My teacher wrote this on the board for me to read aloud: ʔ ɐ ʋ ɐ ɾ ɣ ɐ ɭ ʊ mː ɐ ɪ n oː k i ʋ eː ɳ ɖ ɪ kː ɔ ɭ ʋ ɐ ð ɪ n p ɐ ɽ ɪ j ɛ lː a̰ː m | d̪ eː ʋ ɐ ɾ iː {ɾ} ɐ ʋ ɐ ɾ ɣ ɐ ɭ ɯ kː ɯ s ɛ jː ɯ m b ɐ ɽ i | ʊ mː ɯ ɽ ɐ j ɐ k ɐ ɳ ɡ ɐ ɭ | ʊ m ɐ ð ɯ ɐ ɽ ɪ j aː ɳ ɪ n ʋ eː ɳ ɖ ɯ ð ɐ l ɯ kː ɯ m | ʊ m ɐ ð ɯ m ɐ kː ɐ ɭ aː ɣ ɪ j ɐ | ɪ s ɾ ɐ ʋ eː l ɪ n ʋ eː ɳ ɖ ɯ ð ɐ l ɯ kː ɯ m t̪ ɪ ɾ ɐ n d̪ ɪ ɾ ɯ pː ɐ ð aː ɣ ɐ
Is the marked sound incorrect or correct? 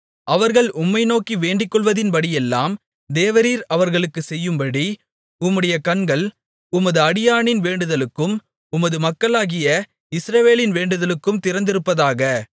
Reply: correct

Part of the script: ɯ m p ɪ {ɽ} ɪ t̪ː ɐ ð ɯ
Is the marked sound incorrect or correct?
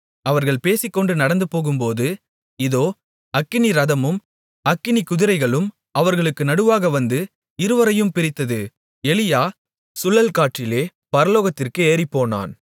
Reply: incorrect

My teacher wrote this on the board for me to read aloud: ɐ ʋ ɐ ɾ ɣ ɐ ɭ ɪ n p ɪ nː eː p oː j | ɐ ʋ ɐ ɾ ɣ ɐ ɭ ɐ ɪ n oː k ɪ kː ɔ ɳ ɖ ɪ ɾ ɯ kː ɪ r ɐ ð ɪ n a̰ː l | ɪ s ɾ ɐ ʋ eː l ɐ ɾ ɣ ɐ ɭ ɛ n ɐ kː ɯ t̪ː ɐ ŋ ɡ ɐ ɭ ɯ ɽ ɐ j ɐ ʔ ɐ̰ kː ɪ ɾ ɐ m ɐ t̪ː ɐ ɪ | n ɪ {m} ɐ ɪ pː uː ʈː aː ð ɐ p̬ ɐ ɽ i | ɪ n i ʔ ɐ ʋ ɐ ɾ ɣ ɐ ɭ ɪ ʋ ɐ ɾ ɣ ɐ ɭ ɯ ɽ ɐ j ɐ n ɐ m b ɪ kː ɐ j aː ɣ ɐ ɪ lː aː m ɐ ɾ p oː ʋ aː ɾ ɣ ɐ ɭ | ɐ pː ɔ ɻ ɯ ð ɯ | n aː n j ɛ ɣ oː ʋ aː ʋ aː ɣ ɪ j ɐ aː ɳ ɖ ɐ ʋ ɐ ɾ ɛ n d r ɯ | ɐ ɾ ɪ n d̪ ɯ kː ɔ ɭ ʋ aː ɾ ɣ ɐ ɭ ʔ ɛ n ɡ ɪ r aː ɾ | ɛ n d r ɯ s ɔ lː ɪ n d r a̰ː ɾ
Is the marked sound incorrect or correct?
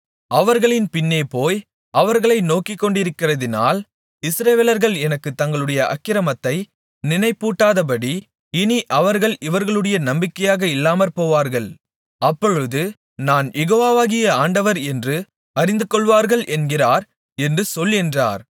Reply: incorrect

